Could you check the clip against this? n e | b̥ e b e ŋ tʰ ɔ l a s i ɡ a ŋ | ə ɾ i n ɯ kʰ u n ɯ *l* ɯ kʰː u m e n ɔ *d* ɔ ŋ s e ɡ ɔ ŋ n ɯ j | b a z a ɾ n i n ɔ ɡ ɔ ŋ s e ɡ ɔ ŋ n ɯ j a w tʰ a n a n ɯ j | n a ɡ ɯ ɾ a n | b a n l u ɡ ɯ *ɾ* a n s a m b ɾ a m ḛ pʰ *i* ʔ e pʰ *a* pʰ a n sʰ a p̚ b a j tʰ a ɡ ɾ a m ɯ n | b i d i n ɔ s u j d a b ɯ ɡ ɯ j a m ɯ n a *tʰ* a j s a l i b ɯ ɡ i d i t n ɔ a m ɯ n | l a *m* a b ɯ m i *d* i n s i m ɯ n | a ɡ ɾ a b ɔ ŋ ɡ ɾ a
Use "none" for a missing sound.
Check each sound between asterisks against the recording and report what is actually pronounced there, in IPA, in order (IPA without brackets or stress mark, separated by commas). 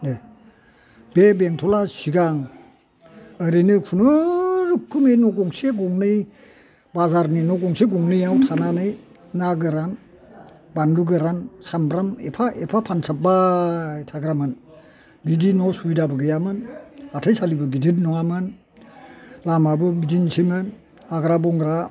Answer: ɾ, ɡ, ɾ, a, a, tʰ, m, d